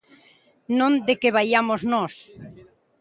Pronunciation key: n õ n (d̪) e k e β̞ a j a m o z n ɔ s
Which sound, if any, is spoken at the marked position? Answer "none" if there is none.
d̪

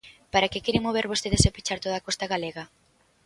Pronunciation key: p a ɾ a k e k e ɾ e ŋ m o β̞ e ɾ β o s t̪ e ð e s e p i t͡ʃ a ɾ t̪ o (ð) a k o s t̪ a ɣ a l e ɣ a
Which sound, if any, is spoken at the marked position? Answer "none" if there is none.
ð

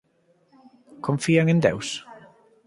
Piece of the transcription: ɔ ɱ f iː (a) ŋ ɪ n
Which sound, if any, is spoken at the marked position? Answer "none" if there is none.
a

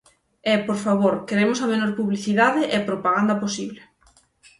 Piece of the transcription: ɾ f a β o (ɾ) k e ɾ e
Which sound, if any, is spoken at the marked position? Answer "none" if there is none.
ɾ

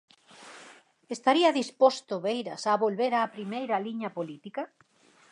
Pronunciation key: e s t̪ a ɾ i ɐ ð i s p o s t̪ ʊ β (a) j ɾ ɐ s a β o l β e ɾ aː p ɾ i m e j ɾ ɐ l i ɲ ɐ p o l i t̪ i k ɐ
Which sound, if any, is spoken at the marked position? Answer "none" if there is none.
e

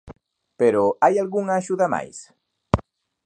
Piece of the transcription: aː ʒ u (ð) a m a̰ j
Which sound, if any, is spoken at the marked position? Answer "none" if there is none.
ð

